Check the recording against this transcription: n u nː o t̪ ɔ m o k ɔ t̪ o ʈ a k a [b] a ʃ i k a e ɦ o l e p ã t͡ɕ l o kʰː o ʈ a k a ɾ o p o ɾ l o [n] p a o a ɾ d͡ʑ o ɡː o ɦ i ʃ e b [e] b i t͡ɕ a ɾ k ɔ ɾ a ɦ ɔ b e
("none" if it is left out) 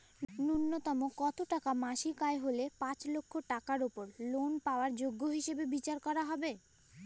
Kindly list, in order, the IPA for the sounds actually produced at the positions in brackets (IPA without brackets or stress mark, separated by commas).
m, n, e